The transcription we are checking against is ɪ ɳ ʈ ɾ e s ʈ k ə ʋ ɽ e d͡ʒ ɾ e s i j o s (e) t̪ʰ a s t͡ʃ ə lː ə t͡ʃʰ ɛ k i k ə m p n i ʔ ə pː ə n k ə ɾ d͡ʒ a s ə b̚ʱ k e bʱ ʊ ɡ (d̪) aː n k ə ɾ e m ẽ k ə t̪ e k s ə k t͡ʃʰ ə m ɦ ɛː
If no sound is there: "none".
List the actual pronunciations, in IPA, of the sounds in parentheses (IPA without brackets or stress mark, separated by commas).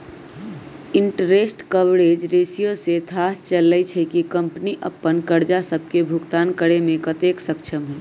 e, t̪